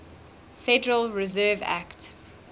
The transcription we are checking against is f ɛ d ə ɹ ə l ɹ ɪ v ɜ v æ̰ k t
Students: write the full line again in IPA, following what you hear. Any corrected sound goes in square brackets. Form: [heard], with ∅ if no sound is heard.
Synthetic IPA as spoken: f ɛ d ə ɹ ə l ɹ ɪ [z] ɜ v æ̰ k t